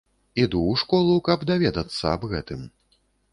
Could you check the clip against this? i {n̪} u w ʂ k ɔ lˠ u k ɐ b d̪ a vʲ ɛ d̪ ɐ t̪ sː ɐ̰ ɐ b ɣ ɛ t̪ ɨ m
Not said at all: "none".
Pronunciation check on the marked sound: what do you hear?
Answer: d̪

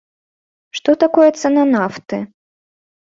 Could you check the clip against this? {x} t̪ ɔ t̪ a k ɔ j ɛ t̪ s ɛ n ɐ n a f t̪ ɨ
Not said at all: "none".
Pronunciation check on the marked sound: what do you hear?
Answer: ʂ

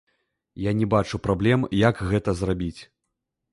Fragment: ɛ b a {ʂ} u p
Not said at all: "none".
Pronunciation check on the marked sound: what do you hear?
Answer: t͡ʂ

